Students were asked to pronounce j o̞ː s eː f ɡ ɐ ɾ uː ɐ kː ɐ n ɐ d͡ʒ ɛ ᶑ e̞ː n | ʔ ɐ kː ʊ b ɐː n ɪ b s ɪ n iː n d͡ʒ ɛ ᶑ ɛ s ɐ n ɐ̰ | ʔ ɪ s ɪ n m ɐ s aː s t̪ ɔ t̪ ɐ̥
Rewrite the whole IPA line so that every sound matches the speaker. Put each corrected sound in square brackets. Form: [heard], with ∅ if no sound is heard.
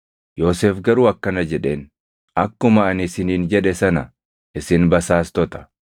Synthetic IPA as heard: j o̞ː s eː f ɡ ɐ ɾ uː ɐ kː ɐ n ɐ d͡ʒ ɛ ᶑ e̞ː n | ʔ ɐ kː ʊ [m] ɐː n ɪ [∅] s ɪ n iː n d͡ʒ ɛ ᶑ ɛ s ɐ n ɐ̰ | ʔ ɪ s ɪ n [b] ɐ s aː s t̪ ɔ t̪ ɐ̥